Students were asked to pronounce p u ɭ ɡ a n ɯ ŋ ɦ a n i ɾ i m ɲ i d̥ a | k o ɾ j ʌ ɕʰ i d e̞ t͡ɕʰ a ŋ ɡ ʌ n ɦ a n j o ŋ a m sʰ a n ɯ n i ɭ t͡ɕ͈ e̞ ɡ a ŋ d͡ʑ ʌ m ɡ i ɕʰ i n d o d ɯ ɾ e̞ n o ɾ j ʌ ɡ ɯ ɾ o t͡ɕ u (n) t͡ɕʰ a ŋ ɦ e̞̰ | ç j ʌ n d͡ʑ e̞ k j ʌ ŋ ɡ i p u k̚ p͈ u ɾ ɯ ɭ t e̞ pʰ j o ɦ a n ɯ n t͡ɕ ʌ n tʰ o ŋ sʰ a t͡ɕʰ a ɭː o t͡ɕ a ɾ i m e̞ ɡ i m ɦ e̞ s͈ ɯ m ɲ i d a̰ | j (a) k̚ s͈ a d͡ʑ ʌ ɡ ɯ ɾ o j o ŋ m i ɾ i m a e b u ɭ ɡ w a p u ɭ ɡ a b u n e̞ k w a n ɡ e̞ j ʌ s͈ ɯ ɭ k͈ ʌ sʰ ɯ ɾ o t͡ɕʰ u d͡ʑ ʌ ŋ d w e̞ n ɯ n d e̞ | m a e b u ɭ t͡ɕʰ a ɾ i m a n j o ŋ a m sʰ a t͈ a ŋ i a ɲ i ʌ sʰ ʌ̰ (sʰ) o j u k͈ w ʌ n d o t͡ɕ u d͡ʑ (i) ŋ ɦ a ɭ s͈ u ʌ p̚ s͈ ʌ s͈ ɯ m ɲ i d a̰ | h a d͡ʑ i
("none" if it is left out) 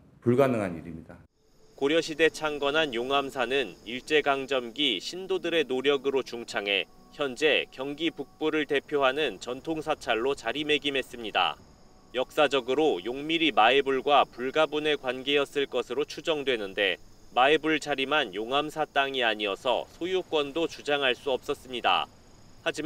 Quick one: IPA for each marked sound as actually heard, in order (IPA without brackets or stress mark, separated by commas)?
ŋ, ʌ, sʰ, a